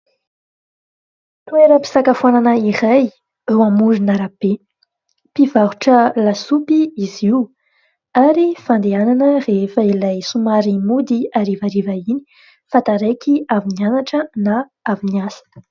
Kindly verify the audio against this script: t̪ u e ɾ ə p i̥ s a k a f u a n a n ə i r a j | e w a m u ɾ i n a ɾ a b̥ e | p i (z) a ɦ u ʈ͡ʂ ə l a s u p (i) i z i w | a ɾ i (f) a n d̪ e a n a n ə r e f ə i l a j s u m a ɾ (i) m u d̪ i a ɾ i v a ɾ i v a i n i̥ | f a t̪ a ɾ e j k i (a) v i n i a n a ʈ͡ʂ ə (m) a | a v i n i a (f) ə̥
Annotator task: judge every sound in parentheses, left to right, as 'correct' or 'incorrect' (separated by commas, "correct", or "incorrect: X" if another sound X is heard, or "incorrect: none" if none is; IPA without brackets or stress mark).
incorrect: v, correct, correct, correct, correct, incorrect: n, incorrect: s